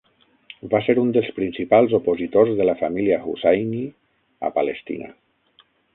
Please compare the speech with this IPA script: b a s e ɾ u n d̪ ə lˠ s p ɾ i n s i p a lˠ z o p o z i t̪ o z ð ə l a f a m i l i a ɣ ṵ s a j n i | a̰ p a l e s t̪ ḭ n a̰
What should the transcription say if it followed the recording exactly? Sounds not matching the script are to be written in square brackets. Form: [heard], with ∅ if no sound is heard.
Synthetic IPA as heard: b a s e ɾ u n d̪ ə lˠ s p ɾ i n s i p a lˠ z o p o z i t̪ o z ð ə l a f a m i l i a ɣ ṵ s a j n i | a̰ p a l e s t̪ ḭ n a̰